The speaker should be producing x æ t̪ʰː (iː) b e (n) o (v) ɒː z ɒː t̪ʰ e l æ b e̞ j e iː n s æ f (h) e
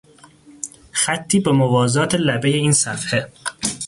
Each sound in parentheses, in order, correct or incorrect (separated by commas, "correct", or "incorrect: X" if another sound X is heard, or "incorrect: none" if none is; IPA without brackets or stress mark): correct, incorrect: m, correct, correct